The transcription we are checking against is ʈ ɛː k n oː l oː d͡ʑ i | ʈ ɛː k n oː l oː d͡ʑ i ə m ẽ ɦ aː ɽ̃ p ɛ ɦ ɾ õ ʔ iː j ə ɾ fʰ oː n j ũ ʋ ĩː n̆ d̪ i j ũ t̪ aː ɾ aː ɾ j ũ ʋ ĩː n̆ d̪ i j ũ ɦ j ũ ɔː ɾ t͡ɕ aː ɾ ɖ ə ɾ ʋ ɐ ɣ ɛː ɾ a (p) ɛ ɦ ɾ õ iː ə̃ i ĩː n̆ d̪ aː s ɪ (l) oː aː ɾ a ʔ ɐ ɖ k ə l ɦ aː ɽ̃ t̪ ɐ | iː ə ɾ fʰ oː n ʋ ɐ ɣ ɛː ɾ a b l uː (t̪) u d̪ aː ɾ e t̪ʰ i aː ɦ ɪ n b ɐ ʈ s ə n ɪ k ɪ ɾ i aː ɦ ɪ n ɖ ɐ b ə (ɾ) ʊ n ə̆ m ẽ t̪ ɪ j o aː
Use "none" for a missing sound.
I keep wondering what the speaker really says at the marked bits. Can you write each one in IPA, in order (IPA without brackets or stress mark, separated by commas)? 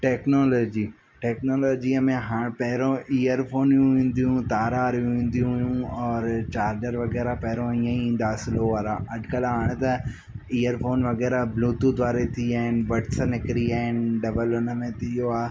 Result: p, l, t̪, l